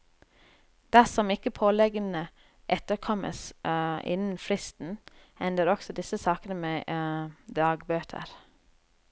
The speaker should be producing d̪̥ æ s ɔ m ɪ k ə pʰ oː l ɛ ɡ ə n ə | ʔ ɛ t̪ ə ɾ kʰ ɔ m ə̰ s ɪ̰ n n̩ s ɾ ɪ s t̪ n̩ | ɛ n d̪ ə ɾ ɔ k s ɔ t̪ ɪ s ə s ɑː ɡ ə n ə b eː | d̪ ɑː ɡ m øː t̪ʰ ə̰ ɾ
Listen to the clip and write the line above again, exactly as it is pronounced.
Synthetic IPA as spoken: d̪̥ æ s ɔ m ɪ k ə pʰ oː l ɛ ɡ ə n ə | ʔ ɛ t̪ ə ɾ kʰ ɔ m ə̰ s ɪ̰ n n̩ f ɾ ɪ s t̪ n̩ | ɛ n d̪ ə ɾ ɔ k s ɔ d̪ ɪ s ə s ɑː k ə n ə m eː | d̪ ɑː ɡ b øː t̪ʰ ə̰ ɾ